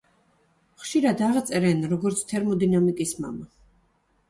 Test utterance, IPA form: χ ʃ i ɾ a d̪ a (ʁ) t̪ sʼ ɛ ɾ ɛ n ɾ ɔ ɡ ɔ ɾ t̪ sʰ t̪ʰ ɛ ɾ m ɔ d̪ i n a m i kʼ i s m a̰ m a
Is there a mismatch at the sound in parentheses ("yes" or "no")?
no